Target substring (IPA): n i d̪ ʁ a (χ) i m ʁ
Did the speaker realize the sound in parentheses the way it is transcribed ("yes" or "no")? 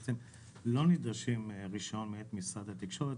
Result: no